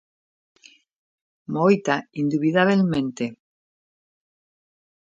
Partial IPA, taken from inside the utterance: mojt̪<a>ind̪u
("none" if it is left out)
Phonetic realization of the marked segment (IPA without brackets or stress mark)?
a